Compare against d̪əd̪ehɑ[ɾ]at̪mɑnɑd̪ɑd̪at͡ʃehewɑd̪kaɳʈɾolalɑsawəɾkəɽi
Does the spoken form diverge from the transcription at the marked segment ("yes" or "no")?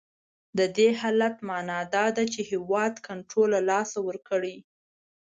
yes